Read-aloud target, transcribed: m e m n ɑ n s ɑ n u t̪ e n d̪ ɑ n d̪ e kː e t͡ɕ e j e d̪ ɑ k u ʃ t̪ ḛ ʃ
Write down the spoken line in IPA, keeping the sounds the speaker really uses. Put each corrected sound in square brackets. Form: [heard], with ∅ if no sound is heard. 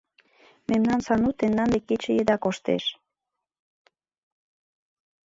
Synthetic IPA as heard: m e m n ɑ n s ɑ n u t̪ e n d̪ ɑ n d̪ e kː e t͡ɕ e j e d̪ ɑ k [o] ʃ t̪ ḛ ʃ